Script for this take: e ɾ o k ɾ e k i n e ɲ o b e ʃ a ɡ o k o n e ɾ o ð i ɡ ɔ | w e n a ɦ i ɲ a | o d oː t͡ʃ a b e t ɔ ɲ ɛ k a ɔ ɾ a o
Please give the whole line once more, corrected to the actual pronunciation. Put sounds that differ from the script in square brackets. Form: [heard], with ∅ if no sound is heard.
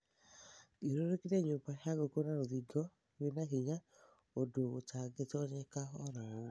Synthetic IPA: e ɾ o [∅] ɾ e k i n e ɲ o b [a] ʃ a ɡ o k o n [a] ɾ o ð i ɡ ɔ | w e n a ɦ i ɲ a | o d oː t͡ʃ a [ɡ] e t ɔ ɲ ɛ k a ɔ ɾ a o